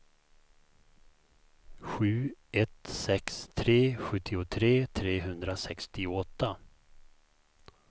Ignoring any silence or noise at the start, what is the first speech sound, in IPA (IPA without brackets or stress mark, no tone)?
ɧ